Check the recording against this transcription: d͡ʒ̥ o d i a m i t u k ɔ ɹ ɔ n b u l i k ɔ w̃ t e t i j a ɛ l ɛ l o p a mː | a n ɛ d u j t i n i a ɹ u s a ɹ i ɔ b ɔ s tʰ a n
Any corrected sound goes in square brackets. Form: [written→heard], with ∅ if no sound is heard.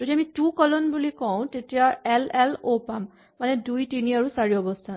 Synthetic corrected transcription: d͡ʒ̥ o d i a m i t u k ɔ [ɹ→l] ɔ n b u l i k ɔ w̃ t e t i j a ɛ l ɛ l o p a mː | a n ɛ d u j t i n i a ɹ u s a ɹ i ɔ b ɔ s tʰ a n